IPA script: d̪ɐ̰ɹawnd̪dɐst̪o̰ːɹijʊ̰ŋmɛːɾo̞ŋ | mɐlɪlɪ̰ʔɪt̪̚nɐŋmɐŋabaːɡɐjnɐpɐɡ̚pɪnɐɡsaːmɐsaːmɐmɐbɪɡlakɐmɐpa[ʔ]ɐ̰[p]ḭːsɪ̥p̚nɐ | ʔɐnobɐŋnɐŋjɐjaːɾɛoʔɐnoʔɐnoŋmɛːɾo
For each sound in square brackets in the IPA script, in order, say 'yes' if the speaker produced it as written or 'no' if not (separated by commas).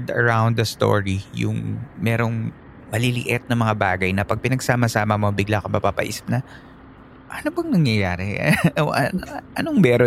no, no